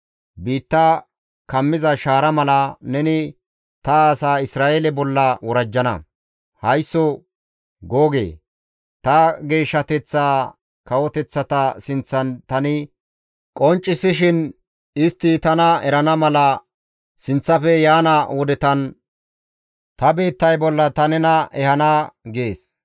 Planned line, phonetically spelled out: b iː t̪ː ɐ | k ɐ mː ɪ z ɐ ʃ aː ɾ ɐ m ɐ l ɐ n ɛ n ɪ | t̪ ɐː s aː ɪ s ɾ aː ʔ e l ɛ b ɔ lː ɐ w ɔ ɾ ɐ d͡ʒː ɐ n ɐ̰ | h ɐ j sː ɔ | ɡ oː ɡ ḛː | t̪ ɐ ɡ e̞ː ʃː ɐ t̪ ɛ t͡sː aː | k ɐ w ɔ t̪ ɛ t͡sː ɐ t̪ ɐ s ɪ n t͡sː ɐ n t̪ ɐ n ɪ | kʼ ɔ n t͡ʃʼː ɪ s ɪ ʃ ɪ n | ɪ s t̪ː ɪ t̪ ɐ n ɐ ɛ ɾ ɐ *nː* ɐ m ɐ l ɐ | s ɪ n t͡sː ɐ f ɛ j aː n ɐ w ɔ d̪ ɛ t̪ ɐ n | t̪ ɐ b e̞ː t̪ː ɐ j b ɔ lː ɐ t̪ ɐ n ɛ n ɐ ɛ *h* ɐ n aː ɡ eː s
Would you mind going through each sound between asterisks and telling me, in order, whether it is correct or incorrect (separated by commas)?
incorrect, correct